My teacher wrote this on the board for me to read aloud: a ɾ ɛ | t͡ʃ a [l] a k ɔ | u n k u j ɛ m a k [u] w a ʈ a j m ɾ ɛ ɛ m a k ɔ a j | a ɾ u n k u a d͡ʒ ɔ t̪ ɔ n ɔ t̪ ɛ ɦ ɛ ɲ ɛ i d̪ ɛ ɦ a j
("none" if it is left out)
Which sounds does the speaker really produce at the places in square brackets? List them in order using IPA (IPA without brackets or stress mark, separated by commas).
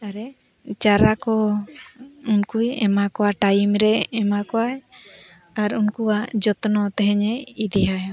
ɾ, ɔ